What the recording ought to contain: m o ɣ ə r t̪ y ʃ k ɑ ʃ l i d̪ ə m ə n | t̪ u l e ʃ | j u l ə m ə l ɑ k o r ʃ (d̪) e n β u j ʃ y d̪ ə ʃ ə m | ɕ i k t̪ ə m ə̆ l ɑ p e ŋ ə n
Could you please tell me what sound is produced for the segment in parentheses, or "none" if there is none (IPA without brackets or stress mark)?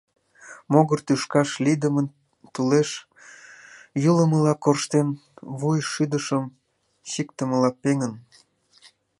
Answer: t̪